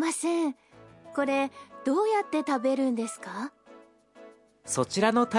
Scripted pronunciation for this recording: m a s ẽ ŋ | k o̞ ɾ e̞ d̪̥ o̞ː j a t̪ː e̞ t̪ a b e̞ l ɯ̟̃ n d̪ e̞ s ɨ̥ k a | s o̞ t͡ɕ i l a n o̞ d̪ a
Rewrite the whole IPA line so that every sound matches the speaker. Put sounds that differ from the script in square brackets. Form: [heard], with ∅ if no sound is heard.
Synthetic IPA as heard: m a s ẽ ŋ | k o̞ ɾ e̞ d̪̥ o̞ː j a t̪ː e̞ t̪ a b e̞ [ɾ] ɯ̟̃ n d̪ e̞ s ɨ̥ k a | s o̞ t͡ɕ i [ɾ] a n o̞ [t̪] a